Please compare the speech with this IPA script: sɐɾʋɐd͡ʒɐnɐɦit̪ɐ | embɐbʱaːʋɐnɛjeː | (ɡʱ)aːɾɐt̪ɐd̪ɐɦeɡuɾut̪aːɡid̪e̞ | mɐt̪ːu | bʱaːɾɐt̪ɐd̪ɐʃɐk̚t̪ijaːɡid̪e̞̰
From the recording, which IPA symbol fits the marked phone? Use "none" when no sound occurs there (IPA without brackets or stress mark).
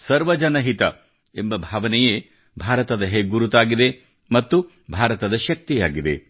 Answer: bʱ